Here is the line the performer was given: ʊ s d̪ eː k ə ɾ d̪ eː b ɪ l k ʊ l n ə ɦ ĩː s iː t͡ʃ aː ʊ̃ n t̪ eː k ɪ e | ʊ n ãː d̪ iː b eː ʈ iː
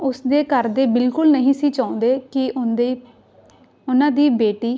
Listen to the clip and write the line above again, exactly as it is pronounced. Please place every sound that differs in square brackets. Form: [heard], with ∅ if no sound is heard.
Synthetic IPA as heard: ʊ s d̪ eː k ə ɾ d̪ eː b ɪ l k ʊ l n ə ɦ ĩː s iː t͡ʃ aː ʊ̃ n [d̪] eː k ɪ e | ʊ n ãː d̪ iː b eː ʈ iː